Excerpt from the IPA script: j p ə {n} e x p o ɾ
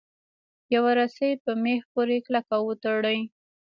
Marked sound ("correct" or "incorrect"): incorrect